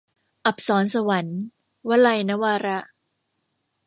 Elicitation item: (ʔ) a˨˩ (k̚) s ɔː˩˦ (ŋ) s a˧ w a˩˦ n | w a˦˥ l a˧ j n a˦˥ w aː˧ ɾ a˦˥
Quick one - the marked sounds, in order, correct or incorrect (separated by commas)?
correct, incorrect, incorrect